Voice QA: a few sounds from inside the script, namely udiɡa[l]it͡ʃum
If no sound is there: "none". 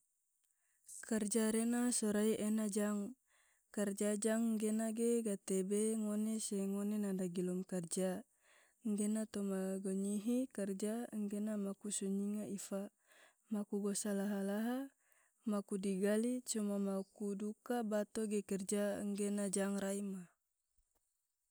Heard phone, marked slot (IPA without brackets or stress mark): l